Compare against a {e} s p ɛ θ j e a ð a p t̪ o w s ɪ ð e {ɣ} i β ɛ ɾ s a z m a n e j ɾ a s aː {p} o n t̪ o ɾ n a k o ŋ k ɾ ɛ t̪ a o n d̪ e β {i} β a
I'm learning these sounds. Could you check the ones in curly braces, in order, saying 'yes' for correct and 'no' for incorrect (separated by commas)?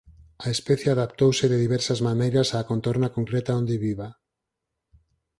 yes, no, no, yes